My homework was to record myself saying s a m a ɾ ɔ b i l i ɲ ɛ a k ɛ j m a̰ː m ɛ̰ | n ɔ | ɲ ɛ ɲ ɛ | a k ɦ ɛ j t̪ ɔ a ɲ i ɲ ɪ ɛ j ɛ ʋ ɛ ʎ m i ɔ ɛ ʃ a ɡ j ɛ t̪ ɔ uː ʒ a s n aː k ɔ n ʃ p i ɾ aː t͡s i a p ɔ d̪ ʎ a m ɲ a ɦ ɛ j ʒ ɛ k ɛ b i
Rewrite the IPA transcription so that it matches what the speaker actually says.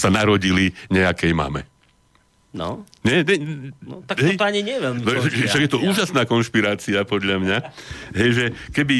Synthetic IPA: s a n a ɾ ɔ ɟ i l i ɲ ɛ a k ɛ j m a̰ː m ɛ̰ | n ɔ | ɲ ɛ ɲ ɛ | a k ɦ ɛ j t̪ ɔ a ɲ i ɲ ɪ ɛ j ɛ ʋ ɛ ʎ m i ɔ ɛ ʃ a ɡ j ɛ t̪ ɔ uː ʒ a s n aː k ɔ n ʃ p i ɾ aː t͡s i a p ɔ d̪ ʎ a m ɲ a ɦ ɛ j ʒ ɛ k ɛ b i